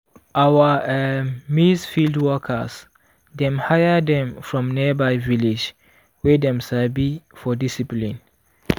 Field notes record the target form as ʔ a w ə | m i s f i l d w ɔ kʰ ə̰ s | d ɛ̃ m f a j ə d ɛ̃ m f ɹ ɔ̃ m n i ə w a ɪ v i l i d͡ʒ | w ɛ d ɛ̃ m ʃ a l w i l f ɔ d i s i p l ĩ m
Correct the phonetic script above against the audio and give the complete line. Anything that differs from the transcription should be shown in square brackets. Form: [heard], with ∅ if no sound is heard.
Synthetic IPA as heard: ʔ a w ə | m i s f i l d w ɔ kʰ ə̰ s | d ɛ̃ m [h] a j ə d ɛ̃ m f ɹ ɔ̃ m n i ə [b] a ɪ v i l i d͡ʒ | w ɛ d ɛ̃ m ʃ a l [b] i [∅] f ɔ d i s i p l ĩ [n]